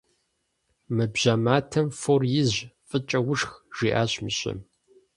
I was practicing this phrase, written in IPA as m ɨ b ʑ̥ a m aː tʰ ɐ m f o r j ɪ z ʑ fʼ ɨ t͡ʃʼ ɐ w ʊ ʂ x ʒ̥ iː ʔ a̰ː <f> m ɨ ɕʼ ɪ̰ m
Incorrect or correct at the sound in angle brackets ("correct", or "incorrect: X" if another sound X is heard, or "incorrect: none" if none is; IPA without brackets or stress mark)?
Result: incorrect: ɕ